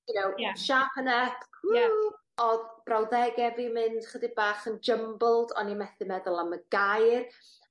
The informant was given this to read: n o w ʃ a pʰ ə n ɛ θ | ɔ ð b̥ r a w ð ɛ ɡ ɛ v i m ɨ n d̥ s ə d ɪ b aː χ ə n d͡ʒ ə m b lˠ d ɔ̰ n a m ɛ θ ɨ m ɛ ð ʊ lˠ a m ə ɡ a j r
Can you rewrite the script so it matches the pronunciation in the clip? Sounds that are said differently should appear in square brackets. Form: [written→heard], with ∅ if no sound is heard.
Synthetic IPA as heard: n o w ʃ a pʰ ə n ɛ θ | ɔ ð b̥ r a w ð ɛ ɡ ɛ v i m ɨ n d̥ [s→χ] ə d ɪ b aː χ ə n d͡ʒ ə m b lˠ d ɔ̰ n [a→i] m ɛ θ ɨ m ɛ ð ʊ lˠ a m ə ɡ a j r